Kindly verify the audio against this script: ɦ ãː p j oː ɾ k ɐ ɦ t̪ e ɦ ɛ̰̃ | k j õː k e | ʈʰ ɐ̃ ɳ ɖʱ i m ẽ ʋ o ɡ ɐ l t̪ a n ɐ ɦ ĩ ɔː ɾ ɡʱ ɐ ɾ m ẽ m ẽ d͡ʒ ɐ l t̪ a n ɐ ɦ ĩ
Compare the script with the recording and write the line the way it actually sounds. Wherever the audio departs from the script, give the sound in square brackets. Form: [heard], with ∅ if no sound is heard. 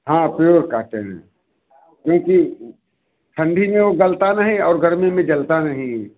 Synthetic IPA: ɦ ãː p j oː ɾ k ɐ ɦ t̪ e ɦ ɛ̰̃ | k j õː k [i] | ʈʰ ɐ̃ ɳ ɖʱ i m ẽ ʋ o ɡ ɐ l t̪ a n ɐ ɦ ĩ ɔː ɾ ɡʱ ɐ ɾ m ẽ m ẽ d͡ʒ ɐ l t̪ a n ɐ ɦ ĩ